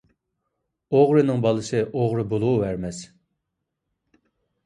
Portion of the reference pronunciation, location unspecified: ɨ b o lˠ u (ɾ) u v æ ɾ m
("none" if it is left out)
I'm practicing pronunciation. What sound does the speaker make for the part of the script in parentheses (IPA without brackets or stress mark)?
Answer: none